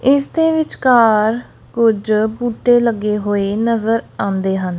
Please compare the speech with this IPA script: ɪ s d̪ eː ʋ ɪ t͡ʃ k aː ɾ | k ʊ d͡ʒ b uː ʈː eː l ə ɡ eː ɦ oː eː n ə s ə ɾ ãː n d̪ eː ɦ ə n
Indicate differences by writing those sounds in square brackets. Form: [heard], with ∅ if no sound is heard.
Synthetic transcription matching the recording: ɪ s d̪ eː ʋ ɪ t͡ʃ k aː ɾ | k ʊ d͡ʒ b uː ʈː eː l ə ɡ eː ɦ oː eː n ə [z] ə ɾ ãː n d̪ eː ɦ ə n